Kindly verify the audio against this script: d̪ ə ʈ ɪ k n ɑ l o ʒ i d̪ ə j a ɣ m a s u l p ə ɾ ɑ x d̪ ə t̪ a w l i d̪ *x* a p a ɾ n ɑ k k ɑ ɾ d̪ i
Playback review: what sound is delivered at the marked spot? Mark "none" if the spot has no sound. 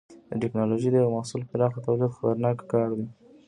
x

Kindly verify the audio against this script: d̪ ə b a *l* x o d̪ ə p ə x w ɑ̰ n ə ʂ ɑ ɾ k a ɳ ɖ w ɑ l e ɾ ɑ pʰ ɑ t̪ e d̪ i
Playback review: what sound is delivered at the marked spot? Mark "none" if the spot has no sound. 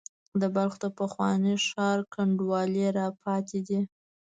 l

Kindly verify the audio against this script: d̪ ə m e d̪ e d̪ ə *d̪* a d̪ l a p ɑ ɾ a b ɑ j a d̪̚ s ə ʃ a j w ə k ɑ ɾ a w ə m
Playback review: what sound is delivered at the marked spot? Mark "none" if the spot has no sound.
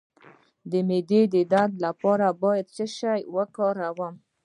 d̪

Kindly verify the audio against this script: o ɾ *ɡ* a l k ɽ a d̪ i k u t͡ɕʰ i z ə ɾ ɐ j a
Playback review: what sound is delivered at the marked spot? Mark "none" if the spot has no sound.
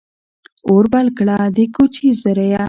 b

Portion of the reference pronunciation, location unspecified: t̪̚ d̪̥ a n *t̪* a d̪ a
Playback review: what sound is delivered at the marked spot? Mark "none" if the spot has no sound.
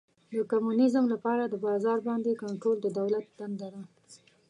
d̪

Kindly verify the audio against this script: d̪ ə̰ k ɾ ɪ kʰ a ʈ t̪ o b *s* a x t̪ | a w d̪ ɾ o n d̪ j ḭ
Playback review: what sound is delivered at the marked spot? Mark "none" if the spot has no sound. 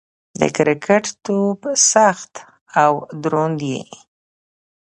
s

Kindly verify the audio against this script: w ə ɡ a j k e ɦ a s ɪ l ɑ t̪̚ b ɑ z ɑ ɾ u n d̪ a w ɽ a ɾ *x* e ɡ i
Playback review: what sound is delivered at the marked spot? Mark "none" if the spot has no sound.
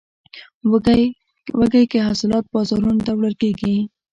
k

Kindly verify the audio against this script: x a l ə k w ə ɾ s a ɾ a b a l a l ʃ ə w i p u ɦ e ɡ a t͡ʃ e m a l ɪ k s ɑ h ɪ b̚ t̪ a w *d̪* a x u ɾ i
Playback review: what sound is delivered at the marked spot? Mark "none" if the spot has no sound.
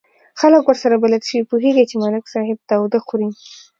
d̪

